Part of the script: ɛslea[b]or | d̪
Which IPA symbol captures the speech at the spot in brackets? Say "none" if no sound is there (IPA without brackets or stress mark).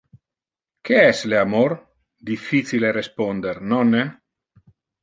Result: m